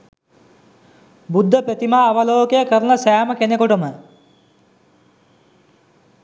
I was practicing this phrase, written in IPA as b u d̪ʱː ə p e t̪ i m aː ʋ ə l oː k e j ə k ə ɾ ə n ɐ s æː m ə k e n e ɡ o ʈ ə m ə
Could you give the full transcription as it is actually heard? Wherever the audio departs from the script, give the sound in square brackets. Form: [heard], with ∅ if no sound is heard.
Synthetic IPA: b u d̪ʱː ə p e t̪ i m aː ʋ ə l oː k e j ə k ə ɾ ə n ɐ s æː m ə k e n e [k] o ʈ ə m ə